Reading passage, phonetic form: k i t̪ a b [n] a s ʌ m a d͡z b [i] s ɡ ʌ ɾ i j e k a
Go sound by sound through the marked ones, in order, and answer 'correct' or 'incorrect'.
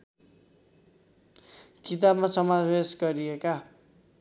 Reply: incorrect, incorrect

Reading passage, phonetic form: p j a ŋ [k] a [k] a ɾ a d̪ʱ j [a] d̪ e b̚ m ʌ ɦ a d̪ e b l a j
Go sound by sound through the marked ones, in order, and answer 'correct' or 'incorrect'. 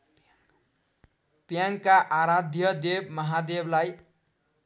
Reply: correct, incorrect, incorrect

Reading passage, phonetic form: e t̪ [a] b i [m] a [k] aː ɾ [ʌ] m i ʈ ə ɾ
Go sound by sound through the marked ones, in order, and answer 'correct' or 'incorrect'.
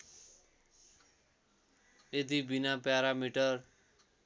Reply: incorrect, incorrect, incorrect, incorrect

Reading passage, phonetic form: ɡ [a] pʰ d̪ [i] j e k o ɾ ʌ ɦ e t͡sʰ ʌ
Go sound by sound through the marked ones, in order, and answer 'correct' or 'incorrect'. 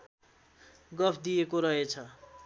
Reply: incorrect, correct

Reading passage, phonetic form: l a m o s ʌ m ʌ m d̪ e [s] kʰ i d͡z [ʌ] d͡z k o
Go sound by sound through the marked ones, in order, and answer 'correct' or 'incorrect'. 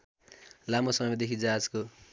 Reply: incorrect, incorrect

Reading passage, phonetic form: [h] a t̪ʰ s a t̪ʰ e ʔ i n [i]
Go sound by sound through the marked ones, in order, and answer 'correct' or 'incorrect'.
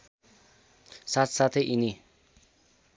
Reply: incorrect, correct

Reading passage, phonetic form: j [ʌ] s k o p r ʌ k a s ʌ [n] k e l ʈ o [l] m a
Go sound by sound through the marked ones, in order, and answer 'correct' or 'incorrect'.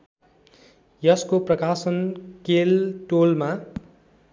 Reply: correct, correct, correct

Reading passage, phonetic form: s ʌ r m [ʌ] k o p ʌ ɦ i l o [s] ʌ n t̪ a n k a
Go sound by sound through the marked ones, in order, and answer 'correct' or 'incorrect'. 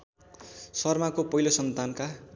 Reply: incorrect, correct

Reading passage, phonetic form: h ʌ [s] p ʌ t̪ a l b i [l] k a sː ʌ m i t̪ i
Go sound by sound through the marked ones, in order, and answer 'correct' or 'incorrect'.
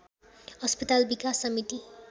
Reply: correct, incorrect

